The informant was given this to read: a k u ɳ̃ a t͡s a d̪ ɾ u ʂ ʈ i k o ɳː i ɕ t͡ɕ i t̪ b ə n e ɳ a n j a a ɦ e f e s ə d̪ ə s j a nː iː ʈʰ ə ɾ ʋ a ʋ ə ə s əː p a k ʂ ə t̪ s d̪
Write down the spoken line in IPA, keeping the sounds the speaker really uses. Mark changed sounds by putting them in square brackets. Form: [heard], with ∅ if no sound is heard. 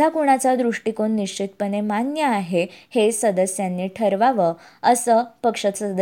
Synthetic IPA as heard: a k u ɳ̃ a t͡s a d̪ ɾ u ʂ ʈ i k o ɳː i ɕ t͡ɕ i t̪ [p] ə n e [m] a n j [ə] a ɦ e [h] e s ə d̪ ə s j a nː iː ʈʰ ə ɾ ʋ a ʋ ə ə s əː p [ə] k ʂ ə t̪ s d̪